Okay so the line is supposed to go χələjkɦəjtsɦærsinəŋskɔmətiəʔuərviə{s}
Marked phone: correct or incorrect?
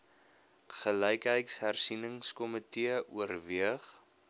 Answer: incorrect